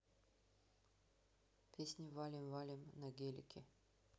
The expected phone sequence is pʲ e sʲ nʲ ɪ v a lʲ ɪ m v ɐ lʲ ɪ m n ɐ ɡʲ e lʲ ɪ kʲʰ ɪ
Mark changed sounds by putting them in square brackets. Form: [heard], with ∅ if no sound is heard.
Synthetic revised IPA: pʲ e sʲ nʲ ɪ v a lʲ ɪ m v [a] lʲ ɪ m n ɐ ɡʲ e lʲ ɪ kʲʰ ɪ